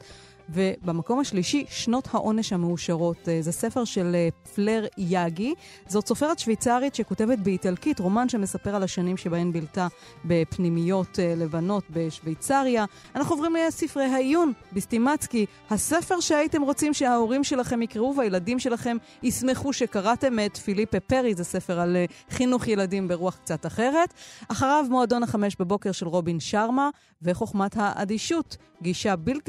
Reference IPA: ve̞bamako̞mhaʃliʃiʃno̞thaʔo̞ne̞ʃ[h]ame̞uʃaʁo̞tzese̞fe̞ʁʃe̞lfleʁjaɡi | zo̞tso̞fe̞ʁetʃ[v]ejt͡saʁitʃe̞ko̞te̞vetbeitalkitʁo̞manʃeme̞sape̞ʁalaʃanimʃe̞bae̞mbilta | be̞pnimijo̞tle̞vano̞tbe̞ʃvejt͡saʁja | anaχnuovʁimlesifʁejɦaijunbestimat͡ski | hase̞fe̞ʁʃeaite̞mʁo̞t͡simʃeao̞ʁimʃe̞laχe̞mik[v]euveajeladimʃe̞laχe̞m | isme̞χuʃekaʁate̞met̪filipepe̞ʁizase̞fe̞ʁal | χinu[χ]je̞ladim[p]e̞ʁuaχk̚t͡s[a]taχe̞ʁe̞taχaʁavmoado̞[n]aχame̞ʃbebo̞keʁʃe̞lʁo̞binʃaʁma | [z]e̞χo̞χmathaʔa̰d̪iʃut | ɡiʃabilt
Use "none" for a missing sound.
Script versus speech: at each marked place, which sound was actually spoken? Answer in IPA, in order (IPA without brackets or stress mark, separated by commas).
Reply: h, v, ʁ, χ, b, a, n, v